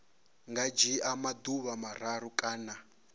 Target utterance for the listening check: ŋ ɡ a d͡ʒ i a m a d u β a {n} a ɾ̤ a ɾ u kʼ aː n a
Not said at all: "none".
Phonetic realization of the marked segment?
m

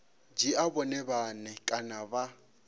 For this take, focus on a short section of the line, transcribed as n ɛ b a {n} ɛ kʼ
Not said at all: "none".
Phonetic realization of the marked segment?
n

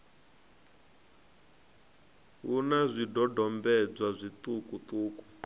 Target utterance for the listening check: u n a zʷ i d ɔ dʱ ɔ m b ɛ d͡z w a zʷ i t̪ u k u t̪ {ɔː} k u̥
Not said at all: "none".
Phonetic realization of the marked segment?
uː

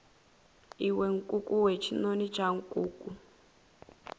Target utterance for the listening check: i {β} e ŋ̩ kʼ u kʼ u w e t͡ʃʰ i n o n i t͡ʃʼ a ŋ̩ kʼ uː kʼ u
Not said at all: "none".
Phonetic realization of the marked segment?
w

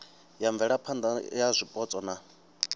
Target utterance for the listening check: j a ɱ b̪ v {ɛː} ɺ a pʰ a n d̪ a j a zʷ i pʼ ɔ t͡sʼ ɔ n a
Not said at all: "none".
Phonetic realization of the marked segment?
ɛ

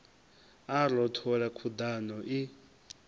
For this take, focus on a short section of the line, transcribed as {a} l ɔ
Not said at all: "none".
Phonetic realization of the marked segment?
a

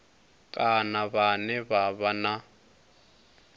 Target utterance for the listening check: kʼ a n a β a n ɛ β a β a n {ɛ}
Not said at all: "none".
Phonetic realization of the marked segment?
a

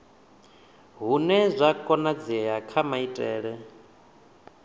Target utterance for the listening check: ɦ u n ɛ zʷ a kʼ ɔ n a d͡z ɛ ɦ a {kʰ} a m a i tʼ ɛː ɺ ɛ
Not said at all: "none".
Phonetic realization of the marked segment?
kʰ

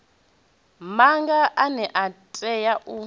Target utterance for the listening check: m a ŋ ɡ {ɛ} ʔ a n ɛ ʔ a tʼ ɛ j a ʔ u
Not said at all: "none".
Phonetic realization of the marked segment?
a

